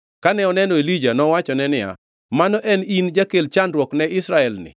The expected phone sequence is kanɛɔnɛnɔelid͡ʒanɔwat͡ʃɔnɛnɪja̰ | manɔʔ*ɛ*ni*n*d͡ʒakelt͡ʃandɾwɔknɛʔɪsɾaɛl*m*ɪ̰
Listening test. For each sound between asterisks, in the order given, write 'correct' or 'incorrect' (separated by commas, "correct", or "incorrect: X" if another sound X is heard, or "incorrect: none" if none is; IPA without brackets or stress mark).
correct, correct, incorrect: n